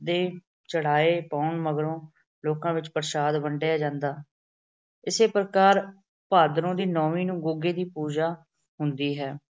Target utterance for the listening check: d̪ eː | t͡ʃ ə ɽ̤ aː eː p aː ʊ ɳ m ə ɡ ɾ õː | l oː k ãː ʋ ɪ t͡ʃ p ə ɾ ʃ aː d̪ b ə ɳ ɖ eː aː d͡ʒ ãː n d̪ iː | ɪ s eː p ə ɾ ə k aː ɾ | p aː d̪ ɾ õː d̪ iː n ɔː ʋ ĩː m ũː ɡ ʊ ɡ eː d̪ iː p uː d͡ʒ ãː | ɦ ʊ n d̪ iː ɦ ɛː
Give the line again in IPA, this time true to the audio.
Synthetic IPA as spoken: d̪ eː | t͡ʃ ə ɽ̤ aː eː p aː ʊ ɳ m ə ɡ ɾ õː | l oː k ãː ʋ ɪ t͡ʃ p ə ɾ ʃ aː d̪ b ə ɳ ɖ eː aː d͡ʒ ãː n d̪ aː | ɪ s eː p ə ɾ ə k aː ɾ | p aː d̪ ɾ õː d̪ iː n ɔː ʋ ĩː n ũː ɡ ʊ ɡ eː d̪ iː p uː d͡ʒ aː | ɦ ʊ n d̪ iː ɦ ɛː

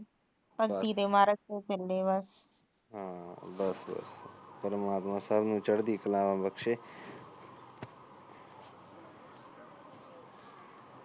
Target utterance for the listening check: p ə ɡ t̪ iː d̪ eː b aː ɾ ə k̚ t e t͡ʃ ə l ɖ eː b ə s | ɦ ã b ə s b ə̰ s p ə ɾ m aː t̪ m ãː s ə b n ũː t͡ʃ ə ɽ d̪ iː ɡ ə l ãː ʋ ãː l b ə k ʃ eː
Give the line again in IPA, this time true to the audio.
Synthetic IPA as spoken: p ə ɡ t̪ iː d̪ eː m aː ɾ ə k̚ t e t͡ʃ ə l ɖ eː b ə s | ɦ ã b ə s b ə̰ s p ə ɾ m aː t̪ m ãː s ə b n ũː t͡ʃ ə ɽ d̪ iː k ə l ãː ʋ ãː b ə k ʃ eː

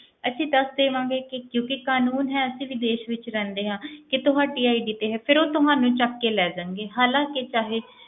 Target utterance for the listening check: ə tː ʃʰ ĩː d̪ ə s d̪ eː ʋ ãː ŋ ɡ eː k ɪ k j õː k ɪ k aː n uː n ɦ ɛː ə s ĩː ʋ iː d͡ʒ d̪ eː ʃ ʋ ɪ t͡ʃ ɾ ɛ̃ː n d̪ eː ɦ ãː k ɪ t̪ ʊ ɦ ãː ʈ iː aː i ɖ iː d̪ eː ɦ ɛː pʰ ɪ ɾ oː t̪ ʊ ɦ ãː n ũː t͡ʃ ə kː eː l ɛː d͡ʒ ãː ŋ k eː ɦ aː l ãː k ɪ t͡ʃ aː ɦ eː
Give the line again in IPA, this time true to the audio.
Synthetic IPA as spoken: ə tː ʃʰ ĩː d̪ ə s d̪ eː ʋ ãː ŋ ɡ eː k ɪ k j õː k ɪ k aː n uː n ɦ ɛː ə s ĩː ʋ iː d̪ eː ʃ ʋ ɪ t͡ʃ ɾ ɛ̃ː n d̪ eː ɦ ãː k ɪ t̪ ʊ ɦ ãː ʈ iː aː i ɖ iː t̪ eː ɦ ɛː pʰ ɪ ɾ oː t̪ ʊ ɦ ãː n ũː t͡ʃ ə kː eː l ɛː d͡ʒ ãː ŋ ɡ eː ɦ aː l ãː k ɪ t͡ʃ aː ɦ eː

